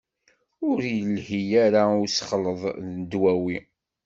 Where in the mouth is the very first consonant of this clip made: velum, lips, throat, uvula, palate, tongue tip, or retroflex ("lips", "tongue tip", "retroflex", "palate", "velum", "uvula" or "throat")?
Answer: tongue tip